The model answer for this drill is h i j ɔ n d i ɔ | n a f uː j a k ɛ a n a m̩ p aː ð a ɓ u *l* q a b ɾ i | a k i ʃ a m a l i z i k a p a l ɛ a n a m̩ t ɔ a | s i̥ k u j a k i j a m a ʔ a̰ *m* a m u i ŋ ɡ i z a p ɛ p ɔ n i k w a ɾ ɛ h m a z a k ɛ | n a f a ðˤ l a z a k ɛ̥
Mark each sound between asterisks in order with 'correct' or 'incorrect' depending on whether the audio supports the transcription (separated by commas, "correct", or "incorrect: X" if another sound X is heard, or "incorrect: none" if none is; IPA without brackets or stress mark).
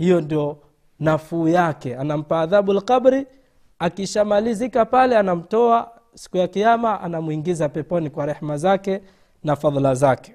correct, incorrect: n